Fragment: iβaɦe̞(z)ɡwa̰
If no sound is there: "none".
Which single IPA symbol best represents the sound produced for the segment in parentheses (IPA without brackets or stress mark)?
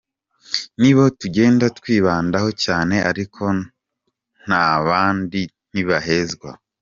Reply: z